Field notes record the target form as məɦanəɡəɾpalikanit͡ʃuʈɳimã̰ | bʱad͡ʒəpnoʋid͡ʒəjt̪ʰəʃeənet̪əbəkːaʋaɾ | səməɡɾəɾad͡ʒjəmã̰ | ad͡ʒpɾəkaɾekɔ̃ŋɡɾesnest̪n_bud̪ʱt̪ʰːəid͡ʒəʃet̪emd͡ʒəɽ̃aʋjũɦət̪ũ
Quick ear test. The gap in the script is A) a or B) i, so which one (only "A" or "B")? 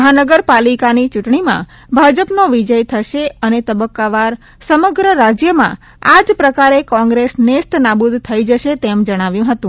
A